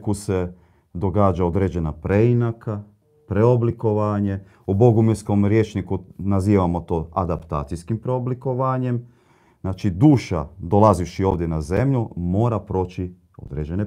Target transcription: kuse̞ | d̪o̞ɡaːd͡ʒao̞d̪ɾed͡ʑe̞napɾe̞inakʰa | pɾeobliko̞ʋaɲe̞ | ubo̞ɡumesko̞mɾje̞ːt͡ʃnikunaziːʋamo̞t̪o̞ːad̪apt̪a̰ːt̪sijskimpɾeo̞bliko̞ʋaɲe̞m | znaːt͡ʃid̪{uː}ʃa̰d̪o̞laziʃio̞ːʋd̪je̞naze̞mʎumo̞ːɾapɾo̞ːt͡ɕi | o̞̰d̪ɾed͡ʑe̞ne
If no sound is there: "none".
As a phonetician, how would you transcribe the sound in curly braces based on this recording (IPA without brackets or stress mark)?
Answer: uː